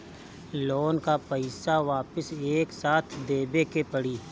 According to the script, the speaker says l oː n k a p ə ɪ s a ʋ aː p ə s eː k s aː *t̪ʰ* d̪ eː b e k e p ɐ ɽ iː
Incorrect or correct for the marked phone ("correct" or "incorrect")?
correct